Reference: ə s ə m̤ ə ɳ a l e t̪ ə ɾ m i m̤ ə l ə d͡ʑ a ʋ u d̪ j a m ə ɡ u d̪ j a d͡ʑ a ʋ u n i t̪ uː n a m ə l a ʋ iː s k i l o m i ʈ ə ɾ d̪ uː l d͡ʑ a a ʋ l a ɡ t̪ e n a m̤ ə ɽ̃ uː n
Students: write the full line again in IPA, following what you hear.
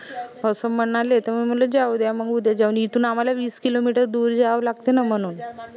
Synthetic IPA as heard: ə s ə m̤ ə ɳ a l e t̪ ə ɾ m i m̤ ə l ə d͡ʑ a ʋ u d̪ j a m ə ɡ u d̪ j a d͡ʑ a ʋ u n i t̪ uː n a m a l a ʋ iː s k i l o m i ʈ ə ɾ d̪ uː ɾ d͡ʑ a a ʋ l a ɡ t̪ e n a m̤ ə ɽ̃ uː n